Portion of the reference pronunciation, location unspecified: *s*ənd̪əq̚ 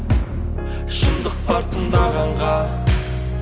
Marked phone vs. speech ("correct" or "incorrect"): incorrect